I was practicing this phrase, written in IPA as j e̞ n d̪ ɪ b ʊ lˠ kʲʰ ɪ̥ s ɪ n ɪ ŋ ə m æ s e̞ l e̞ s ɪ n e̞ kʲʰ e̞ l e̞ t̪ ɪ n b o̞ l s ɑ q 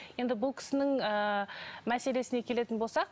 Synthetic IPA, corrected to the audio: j e̞ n d̪ ɪ b ʊ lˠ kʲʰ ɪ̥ s ɪ n ɪ ŋ ə m æ s e̞ l e̞ s ɪ n e̞ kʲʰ e̞ l e̞ t̪ ɪ n b o̞ l s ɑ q